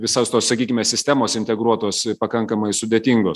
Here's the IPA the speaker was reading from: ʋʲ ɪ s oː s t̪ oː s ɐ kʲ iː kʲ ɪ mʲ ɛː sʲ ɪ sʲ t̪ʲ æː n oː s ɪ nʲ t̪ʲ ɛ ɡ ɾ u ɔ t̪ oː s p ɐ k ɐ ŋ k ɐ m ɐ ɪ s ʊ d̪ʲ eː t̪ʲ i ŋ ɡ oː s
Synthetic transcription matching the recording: ʋʲ ɪ s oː s t̪ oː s ɐ kʲ iː kʲ ɪ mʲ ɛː sʲ ɪ sʲ t̪ʲ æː m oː s ɪ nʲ t̪ʲ ɛ ɡ ɾ u ɔ t̪ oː s p ɐ k ɐ ŋ k ɐ m ɐ ɪ s ʊ d̪ʲ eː t̪ʲ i ŋ ɡ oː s